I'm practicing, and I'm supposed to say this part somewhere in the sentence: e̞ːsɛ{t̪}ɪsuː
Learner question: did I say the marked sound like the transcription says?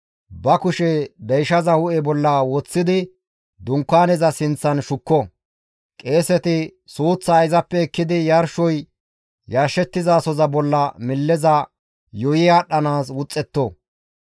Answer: yes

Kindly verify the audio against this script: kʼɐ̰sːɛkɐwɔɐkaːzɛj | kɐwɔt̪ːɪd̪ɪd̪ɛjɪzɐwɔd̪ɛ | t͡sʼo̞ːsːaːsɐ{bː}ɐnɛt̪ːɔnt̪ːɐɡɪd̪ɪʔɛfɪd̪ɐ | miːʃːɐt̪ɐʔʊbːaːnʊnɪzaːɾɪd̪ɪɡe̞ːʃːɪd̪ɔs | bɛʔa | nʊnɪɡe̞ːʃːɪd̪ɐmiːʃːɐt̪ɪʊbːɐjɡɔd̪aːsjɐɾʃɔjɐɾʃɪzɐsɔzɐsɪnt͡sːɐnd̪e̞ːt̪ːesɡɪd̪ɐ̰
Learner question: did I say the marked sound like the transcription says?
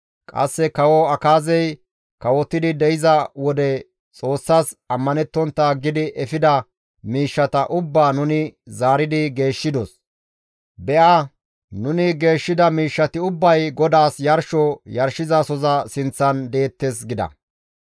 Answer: no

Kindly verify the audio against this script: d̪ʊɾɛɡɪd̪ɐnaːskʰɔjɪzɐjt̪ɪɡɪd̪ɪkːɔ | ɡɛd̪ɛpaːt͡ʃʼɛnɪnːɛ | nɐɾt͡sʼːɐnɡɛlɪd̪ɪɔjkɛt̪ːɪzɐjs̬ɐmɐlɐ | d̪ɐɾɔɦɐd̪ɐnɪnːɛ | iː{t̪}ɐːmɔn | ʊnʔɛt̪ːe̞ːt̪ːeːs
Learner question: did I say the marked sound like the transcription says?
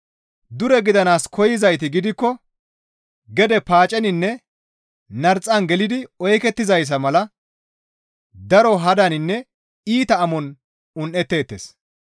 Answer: yes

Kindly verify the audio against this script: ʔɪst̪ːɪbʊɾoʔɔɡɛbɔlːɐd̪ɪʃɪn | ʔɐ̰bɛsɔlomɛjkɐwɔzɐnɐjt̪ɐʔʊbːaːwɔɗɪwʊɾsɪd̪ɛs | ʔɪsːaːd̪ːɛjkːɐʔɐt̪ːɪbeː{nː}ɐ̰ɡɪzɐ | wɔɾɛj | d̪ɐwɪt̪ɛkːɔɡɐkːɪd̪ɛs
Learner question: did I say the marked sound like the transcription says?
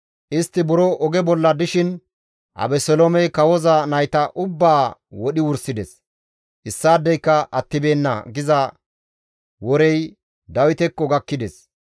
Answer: yes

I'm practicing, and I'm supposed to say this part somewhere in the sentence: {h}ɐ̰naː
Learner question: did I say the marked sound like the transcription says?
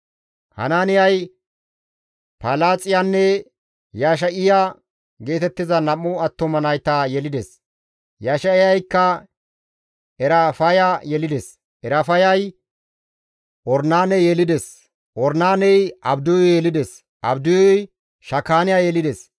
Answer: yes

